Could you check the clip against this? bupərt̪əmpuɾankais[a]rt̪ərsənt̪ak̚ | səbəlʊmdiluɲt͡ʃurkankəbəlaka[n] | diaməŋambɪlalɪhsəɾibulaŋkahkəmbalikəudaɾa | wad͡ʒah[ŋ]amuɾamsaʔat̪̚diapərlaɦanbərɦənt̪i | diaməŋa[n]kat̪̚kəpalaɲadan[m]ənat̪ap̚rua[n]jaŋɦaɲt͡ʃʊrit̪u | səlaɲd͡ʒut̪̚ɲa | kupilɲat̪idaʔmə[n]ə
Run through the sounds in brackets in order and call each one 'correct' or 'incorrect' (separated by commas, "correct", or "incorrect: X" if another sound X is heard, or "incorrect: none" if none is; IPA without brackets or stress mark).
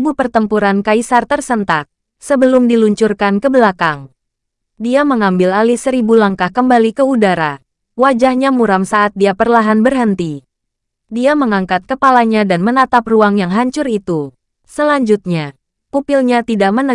correct, incorrect: ŋ, incorrect: ɲ, incorrect: ŋ, correct, incorrect: ŋ, correct